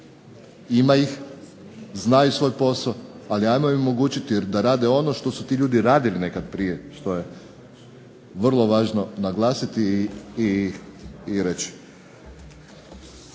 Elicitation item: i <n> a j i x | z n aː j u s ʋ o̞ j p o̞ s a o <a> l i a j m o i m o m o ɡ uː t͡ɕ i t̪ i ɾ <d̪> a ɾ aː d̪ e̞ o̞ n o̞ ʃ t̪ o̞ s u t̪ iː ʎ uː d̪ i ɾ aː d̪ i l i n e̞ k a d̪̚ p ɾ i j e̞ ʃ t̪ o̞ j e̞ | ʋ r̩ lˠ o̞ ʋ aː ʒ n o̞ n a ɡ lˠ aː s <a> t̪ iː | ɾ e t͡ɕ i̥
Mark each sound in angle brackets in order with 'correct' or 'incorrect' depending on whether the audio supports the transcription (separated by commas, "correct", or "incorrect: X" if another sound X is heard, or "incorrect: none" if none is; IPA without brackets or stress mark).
incorrect: m, correct, correct, incorrect: i